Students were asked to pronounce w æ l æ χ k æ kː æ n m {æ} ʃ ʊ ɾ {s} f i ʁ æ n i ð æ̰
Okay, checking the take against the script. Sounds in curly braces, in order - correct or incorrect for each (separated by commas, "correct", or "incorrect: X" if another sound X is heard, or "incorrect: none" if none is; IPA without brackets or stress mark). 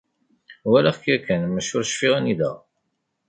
correct, incorrect: ʃ